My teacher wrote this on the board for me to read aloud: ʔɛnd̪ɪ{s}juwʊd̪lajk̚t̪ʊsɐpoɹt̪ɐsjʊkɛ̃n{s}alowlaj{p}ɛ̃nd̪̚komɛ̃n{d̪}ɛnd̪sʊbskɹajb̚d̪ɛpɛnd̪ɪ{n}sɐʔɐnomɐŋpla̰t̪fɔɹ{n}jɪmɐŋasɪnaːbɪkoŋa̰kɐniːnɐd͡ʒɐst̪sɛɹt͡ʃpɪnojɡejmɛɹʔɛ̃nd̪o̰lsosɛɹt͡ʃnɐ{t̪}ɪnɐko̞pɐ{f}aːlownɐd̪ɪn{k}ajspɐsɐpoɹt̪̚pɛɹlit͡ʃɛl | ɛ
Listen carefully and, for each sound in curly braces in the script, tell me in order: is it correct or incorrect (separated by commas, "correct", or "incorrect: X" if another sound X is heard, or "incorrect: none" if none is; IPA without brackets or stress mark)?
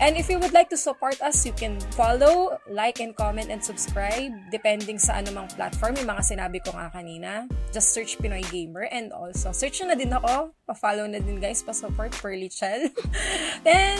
incorrect: f, incorrect: f, incorrect: k, incorrect: t̪, incorrect: ŋ, incorrect: m, incorrect: d̪, correct, incorrect: ɡ